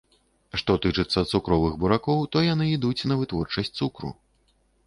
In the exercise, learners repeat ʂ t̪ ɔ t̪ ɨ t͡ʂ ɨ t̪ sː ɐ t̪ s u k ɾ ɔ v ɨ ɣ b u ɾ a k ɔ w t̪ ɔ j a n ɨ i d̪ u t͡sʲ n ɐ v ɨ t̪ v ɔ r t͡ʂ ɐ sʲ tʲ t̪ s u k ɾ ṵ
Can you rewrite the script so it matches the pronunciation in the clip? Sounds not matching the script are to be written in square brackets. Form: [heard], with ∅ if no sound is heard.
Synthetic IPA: ʂ t̪ ɔ t̪ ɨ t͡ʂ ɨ t̪ sː ɐ t̪ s u k ɾ ɔ v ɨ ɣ b u ɾ a k ɔ w t̪ ɔ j a n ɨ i d̪ u t͡sʲ n ɐ v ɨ t̪ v ɔ r t͡ʂ ɐ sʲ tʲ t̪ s u k ɾ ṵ

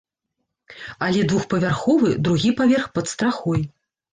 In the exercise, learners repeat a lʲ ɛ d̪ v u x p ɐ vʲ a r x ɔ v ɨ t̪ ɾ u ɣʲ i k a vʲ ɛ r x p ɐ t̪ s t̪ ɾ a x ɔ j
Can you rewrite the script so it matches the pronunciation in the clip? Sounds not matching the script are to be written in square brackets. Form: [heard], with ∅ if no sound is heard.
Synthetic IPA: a lʲ ɛ d̪ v u x p ɐ vʲ a r x ɔ v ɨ [d̪] ɾ u ɣʲ i [p] a vʲ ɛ r x p ɐ t̪ s t̪ ɾ a x ɔ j

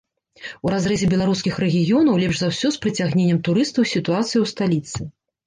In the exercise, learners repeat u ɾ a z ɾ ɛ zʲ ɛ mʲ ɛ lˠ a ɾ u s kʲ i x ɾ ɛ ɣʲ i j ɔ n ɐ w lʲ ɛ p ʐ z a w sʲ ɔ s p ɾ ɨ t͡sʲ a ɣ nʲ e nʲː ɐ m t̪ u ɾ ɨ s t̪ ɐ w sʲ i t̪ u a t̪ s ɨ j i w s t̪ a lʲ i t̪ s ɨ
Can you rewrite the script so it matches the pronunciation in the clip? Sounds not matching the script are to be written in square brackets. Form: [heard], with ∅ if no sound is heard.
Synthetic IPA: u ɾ a z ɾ ɛ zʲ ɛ [bʲ] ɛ lˠ a ɾ u s kʲ i x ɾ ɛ ɣʲ i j ɔ n ɐ w lʲ ɛ p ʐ z a w sʲ ɔ s p ɾ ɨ t͡sʲ a ɣ nʲ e nʲː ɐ m t̪ u ɾ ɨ s t̪ ɐ w sʲ i t̪ u a t̪ s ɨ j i w s t̪ a lʲ i t̪ s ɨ

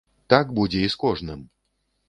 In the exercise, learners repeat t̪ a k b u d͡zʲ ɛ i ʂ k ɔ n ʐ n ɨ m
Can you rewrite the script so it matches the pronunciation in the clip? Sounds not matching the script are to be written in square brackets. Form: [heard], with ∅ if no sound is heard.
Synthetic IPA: t̪ a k b u d͡zʲ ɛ i [s] k ɔ [∅] ʐ n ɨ m

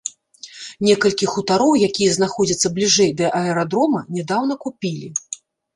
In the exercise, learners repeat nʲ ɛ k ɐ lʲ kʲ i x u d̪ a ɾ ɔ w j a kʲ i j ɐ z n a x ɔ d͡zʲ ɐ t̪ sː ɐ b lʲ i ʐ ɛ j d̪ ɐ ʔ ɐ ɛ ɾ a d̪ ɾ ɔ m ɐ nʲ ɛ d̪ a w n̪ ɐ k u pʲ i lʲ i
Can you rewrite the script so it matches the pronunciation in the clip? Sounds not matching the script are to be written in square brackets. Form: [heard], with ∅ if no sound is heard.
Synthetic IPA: nʲ ɛ k ɐ lʲ kʲ i x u [t̪] a ɾ ɔ w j a kʲ i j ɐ z n a x ɔ d͡zʲ ɐ t̪ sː ɐ b lʲ i ʐ ɛ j d̪ ɐ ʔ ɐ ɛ ɾ a d̪ ɾ ɔ m ɐ nʲ ɛ d̪ a w n̪ ɐ k u pʲ i lʲ i

